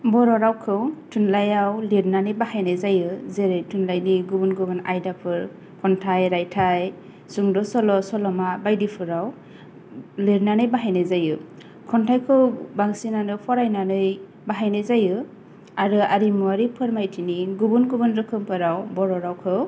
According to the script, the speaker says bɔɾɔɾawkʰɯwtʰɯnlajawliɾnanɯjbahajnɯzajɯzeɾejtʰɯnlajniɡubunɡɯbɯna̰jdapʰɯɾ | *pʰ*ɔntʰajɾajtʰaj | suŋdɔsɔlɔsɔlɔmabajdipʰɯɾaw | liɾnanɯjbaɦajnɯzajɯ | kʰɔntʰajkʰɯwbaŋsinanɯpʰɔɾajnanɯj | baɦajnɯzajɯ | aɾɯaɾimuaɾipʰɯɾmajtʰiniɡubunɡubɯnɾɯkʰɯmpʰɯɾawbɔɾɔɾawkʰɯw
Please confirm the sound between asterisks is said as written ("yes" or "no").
no